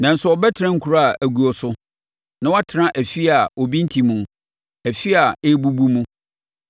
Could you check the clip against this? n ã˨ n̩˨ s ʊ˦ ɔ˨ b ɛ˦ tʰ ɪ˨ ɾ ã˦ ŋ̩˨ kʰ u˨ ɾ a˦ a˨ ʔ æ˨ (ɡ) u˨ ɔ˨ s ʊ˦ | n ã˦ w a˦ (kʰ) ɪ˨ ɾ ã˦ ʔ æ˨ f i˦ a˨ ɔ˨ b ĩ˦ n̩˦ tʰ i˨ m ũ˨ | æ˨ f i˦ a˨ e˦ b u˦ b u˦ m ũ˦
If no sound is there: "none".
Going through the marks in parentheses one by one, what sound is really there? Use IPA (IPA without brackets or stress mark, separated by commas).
ɡ, tʰ